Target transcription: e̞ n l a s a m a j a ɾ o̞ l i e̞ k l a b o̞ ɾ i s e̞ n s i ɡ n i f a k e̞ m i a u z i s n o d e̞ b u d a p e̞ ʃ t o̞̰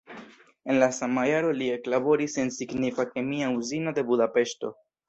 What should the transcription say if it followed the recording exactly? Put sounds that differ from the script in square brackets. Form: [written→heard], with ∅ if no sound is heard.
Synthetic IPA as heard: e̞ n l a s a m a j a ɾ o̞ l i e̞ k l a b o̞ ɾ i s e̞ n s i ɡ n i f a k e̞ m i a u z i [s→∅] n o d e̞ b u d a p e̞ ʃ t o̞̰